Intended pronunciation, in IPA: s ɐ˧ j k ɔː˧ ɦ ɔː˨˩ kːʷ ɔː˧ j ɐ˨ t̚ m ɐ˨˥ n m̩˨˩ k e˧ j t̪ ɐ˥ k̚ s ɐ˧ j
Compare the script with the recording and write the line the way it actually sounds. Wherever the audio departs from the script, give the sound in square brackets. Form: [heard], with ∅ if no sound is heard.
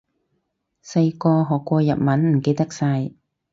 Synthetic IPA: s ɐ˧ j k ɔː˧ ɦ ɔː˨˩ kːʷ ɔː˧ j ɐ˨ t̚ m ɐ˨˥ n m̩˨˩ k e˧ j t̪ ɐ˥ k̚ s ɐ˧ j